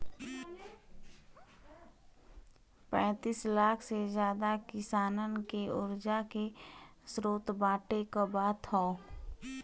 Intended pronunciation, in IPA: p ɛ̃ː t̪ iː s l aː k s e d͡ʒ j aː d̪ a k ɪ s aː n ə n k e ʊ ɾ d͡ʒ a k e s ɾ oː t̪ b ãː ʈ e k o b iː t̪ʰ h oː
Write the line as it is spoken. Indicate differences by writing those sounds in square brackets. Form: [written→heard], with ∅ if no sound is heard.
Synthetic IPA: p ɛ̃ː t̪ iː s l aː [k→kʰ] s e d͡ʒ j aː d̪ a k ɪ s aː n ə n k e ʊ ɾ d͡ʒ a k e s ɾ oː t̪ b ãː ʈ e k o b [iː→aː] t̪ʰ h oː